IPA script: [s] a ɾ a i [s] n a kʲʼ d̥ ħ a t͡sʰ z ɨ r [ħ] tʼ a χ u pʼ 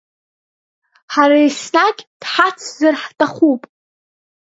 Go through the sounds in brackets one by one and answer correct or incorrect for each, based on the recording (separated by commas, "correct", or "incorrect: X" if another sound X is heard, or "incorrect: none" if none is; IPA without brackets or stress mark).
incorrect: ħ, correct, correct